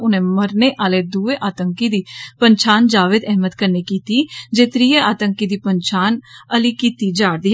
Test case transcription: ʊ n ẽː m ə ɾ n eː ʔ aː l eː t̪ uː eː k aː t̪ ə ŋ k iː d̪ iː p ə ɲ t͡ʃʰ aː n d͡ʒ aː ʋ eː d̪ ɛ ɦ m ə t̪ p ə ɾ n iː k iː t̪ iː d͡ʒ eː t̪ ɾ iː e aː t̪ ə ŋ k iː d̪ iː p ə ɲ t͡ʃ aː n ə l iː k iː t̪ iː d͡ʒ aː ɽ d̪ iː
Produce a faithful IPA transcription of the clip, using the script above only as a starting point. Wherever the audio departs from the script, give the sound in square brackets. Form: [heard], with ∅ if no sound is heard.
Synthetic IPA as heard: ʊ n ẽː m ə ɾ n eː ʔ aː l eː [d̪] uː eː [ʔ] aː t̪ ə ŋ k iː d̪ iː p ə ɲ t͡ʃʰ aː n d͡ʒ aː ʋ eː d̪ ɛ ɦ m ə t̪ [k] ə ɾ n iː k iː t̪ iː d͡ʒ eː t̪ ɾ iː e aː t̪ ə ŋ k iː d̪ iː p ə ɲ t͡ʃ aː n ə l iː k iː t̪ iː d͡ʒ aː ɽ d̪ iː

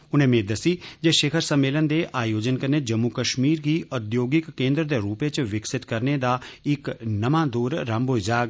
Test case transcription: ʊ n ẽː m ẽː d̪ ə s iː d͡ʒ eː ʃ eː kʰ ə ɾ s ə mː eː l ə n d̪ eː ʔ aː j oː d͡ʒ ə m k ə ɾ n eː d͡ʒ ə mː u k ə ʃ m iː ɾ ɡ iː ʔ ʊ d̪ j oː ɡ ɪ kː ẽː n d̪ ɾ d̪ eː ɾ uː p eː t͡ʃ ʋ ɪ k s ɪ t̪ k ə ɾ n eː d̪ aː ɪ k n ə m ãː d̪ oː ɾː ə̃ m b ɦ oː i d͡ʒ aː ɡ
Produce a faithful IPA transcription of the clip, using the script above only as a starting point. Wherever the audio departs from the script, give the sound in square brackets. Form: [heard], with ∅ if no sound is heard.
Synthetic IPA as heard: ʊ n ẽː m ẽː d̪ ə s iː d͡ʒ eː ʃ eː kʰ ə ɾ s ə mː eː l ə n d̪ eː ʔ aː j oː d͡ʒ ə [n] k ə ɾ n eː d͡ʒ ə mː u k ə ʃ m iː ɾ ɡ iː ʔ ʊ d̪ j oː ɡ ɪ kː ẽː n d̪ ɾ d̪ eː ɾ uː p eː t͡ʃ ʋ ɪ k s ɪ t̪ k ə ɾ n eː d̪ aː ɪ k n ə m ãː d̪ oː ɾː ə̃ m b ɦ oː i d͡ʒ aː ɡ

